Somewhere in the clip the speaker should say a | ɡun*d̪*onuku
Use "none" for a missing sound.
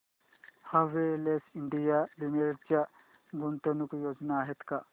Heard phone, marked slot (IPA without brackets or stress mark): t̪